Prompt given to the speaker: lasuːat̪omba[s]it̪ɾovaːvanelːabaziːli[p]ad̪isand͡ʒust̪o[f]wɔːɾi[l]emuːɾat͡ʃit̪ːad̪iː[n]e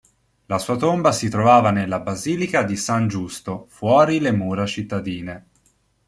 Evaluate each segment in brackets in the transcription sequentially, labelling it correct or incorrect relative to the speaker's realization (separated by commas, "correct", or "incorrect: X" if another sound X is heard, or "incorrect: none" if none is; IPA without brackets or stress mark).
correct, incorrect: k, correct, correct, correct